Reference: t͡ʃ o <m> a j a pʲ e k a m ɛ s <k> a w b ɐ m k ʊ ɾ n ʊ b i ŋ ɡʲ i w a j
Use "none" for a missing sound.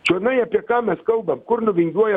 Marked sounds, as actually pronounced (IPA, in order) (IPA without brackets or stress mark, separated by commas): n, k